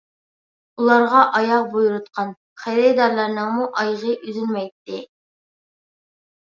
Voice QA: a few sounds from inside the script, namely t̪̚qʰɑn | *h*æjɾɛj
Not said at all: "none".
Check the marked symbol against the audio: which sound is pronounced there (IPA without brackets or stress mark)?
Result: χ